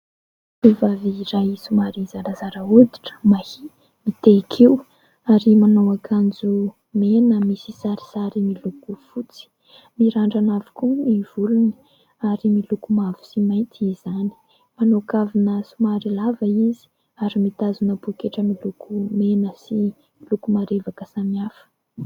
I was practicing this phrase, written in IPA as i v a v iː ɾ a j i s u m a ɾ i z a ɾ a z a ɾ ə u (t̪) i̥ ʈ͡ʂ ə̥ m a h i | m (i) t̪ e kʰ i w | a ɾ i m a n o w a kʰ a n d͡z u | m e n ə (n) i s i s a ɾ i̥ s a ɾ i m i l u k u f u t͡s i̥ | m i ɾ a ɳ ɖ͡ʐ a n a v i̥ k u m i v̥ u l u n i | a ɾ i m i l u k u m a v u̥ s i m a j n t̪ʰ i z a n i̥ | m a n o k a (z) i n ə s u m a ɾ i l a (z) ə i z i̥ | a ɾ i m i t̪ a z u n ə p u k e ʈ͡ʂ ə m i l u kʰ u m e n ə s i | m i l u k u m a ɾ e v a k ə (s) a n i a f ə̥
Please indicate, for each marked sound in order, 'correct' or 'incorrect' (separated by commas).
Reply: incorrect, correct, incorrect, incorrect, incorrect, correct